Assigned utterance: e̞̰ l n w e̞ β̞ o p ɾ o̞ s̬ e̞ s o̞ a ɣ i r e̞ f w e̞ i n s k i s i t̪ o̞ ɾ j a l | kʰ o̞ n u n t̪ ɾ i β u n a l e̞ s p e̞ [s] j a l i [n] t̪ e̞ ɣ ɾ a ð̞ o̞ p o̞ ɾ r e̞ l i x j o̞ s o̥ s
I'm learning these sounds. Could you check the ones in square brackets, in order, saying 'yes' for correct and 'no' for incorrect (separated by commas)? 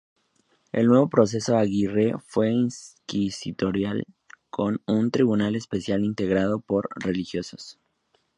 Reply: yes, yes